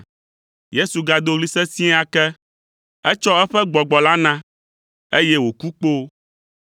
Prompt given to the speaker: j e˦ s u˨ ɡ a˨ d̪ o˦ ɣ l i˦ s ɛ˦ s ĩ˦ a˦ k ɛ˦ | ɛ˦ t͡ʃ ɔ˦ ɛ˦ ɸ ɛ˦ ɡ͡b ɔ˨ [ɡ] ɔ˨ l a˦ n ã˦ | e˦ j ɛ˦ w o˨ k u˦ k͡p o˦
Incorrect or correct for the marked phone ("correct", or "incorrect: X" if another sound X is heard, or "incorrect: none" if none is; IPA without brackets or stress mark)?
incorrect: ɡ͡b